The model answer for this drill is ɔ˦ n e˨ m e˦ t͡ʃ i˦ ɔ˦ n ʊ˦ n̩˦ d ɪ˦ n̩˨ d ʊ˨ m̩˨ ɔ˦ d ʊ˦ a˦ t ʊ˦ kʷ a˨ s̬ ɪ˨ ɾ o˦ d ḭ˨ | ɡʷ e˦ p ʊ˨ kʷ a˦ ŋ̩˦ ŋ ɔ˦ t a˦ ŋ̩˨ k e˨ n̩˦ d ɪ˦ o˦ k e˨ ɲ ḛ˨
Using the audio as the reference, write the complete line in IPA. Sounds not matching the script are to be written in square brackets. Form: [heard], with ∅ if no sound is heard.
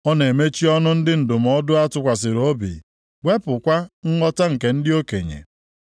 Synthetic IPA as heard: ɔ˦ n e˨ m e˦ t͡ʃ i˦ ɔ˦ n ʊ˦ n̩˦ d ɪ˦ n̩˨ d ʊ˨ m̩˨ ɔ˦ d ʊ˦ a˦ t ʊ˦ kʷ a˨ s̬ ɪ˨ ɾ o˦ [b] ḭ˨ | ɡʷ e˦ p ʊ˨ kʷ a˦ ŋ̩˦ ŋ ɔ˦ t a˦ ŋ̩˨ k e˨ n̩˦ d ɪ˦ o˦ k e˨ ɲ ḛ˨